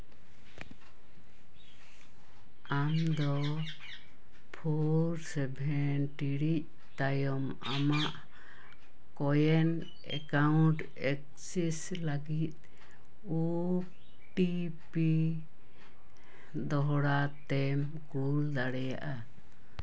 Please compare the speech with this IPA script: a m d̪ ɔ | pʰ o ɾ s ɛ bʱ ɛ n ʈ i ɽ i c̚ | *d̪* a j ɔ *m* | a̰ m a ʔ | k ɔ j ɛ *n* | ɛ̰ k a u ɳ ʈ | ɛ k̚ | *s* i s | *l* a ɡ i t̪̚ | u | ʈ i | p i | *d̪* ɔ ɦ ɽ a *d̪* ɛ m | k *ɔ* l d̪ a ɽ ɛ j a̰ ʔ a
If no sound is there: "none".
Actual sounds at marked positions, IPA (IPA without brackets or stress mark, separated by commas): t̪, m, n, s, l, d̪, t̪, u